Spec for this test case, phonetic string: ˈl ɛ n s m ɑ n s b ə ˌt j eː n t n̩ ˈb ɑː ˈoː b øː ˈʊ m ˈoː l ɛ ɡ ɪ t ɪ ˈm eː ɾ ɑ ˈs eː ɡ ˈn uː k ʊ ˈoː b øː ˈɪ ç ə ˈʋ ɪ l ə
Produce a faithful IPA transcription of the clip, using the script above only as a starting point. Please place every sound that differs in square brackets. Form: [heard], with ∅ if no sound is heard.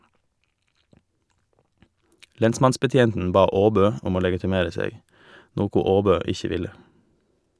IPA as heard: ˈl ɛ n s m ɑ n s b ə ˌt j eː n t n̩ ˈb ɑː ˈoː b øː ˈʊ m ˈoː l ɛ ɡ ɪ t ɪ ˈm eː ɾ [ə] ˈs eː ɡ ˈn [oː] k ʊ ˈoː b øː ˈɪ ç ə ˈʋ ɪ l ə